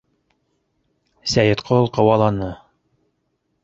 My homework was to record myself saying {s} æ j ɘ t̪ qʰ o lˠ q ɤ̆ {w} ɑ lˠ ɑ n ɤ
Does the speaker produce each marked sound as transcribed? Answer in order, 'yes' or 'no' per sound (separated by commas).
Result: yes, yes